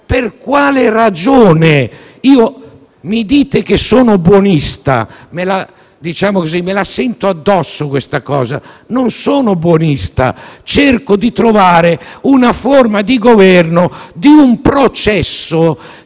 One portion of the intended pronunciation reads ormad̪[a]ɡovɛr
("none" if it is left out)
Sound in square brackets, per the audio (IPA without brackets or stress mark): i